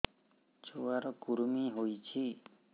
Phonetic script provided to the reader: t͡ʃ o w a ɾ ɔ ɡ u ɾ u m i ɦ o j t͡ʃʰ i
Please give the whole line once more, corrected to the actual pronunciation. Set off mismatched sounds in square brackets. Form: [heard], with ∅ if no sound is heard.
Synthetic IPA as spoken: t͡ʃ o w a ɾ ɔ [k] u ɾ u m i ɦ o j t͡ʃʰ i